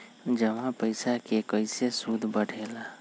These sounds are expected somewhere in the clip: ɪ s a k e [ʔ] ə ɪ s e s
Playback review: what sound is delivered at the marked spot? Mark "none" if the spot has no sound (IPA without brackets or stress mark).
k